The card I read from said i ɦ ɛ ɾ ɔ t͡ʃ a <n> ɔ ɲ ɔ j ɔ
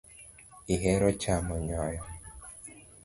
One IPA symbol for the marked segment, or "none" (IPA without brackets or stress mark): m